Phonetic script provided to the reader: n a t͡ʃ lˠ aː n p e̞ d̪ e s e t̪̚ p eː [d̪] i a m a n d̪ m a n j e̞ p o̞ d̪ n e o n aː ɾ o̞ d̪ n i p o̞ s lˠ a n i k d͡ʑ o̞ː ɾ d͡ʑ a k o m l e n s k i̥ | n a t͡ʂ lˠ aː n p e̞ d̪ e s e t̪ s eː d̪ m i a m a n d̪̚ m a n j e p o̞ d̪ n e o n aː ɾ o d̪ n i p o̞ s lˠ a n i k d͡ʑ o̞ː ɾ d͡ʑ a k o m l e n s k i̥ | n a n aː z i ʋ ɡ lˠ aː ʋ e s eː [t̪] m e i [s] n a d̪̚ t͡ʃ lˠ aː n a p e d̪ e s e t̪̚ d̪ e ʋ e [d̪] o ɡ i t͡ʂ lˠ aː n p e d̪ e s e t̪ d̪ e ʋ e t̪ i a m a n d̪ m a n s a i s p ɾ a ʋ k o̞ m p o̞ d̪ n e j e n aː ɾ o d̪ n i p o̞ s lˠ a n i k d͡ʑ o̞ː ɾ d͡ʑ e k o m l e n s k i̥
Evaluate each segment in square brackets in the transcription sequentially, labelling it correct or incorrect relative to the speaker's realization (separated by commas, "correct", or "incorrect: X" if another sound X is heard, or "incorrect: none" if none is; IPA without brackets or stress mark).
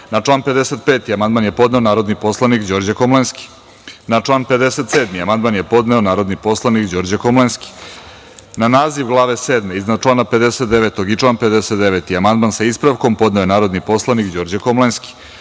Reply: incorrect: t̪, incorrect: d̪, incorrect: z, incorrect: t̪